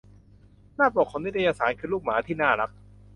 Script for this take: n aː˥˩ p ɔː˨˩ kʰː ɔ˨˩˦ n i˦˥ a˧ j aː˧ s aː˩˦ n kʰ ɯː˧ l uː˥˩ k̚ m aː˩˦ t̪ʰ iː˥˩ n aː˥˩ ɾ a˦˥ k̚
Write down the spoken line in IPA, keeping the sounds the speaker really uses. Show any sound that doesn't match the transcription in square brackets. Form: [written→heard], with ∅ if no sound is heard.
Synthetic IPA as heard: n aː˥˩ p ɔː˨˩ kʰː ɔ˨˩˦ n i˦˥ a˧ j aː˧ s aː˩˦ n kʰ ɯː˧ l uː˥˩ k̚ m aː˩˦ t̪ʰ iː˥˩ n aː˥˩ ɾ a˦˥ k̚